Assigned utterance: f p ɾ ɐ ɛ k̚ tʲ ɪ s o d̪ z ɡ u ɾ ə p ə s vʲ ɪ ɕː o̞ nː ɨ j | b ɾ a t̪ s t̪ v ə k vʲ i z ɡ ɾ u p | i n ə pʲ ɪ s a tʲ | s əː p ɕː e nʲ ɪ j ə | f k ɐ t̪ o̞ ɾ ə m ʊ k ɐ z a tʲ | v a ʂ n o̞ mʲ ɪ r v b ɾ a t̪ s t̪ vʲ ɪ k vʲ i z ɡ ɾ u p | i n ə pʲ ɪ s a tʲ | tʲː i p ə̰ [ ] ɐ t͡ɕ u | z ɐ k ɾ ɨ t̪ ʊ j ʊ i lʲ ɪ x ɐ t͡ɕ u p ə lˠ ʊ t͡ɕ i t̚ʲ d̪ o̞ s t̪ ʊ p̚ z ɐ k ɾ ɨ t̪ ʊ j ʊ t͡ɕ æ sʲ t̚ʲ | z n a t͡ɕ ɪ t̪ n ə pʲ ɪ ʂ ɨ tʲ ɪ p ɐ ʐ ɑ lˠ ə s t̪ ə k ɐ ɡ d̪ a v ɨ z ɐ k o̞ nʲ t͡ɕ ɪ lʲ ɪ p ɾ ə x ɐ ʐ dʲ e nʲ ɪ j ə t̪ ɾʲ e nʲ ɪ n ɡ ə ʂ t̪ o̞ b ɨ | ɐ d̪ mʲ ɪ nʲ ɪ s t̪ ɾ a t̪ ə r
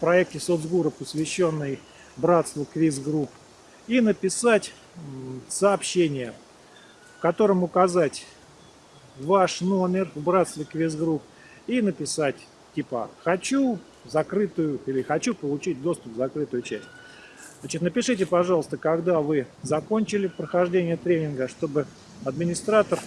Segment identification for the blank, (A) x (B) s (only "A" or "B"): A